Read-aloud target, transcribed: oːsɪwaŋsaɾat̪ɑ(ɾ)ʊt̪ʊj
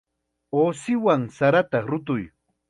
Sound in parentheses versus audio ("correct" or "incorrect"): correct